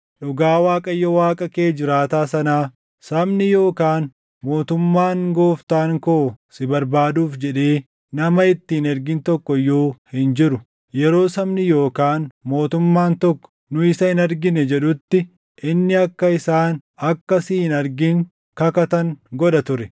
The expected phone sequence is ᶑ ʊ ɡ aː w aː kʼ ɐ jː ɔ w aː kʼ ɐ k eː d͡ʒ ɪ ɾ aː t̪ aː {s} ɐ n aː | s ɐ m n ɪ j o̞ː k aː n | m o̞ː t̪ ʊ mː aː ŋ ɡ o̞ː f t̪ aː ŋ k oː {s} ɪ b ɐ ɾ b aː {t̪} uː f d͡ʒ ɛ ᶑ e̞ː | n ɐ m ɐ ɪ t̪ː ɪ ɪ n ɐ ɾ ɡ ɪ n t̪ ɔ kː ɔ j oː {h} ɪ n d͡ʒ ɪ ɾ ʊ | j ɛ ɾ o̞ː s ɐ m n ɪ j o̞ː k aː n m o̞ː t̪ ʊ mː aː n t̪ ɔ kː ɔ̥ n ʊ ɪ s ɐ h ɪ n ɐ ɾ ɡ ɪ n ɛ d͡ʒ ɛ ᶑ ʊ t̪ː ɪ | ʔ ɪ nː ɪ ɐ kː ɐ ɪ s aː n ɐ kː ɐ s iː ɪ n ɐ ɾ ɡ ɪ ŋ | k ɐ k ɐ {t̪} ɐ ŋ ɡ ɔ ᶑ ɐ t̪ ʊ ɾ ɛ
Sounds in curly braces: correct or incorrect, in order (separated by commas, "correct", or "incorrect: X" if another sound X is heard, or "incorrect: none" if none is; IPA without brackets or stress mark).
correct, correct, incorrect: d̪, correct, correct